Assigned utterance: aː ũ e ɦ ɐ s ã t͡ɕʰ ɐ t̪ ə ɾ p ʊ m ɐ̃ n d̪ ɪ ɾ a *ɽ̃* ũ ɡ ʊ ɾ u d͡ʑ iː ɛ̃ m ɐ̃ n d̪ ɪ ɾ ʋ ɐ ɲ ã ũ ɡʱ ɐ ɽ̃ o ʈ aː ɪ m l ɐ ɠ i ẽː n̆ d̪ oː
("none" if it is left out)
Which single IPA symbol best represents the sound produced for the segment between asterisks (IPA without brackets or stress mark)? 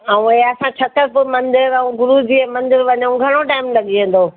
none